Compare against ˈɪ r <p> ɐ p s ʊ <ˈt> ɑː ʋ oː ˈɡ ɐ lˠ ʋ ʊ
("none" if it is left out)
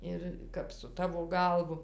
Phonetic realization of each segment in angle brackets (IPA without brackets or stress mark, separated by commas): k, t